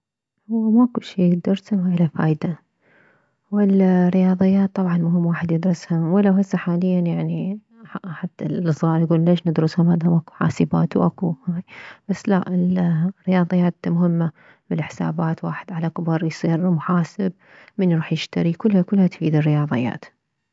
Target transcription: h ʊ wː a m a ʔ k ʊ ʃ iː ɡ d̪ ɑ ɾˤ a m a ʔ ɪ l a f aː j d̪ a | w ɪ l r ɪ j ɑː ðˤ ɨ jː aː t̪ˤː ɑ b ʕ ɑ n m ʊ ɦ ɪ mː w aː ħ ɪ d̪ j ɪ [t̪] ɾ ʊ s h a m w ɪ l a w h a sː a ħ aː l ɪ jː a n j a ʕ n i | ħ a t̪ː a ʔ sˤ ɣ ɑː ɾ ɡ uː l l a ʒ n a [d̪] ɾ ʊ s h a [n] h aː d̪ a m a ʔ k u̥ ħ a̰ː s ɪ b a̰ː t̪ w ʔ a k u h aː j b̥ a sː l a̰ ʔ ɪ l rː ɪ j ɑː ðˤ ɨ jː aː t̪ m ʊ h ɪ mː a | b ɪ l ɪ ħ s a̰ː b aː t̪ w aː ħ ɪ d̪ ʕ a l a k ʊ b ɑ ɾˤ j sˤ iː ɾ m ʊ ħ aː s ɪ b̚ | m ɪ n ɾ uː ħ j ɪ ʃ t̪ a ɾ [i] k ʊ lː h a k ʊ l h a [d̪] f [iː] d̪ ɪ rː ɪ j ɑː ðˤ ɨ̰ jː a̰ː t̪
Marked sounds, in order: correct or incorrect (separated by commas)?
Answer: incorrect, correct, incorrect, correct, incorrect, correct